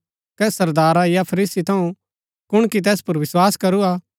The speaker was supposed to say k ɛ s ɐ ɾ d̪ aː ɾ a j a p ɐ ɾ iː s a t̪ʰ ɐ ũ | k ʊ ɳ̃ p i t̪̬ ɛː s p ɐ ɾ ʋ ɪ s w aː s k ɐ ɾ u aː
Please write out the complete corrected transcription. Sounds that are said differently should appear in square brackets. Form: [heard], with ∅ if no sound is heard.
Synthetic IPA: k ɛ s ɐ ɾ d̪ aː ɾ a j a [pʰ] ɐ ɾ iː s [i] t̪ʰ ɐ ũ | k ʊ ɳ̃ [k] i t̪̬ ɛː s p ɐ ɾ ʋ ɪ s w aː s k ɐ ɾ u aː